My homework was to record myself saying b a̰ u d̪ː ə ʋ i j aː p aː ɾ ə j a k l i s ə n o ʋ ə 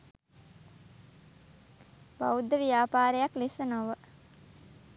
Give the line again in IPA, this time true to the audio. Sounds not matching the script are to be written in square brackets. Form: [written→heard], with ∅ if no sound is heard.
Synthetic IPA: b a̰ u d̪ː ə ʋ i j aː p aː ɾ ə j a k l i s ə n o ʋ ə